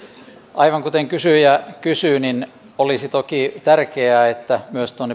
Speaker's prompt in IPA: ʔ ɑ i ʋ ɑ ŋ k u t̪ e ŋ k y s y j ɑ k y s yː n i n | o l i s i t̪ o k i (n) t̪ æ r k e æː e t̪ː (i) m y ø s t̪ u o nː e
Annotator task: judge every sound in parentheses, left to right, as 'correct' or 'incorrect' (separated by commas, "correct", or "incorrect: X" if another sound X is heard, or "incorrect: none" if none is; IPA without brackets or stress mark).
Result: incorrect: none, incorrect: æ